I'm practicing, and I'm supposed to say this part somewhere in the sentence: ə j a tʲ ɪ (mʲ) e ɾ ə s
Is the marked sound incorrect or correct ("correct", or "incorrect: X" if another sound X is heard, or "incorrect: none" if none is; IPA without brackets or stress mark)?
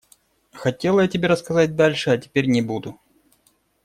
incorrect: bʲ